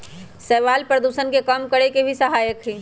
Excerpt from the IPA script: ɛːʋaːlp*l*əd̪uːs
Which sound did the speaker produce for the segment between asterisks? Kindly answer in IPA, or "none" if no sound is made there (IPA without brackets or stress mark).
ɾ